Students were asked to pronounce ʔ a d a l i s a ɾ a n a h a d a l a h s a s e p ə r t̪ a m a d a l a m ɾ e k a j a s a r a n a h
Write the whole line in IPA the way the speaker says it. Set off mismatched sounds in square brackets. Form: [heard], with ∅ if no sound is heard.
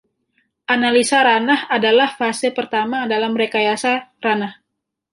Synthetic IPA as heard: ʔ a [n] a l i s a ɾ a n a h a d a l a h [f] a s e p ə r t̪ a m a d a l a m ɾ e k a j a s a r a n a h